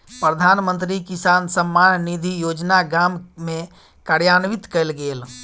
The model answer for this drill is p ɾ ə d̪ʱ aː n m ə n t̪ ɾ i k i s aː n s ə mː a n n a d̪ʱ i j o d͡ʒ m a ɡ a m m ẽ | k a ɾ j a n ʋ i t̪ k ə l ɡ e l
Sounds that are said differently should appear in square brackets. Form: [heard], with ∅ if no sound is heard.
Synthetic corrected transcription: p ɾ ə d̪ʱ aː n m ə n t̪ ɾ i k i s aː n s ə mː a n n [i] d̪ʱ i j o d͡ʒ [n] a ɡ a m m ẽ | k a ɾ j a n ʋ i t̪ k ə l ɡ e l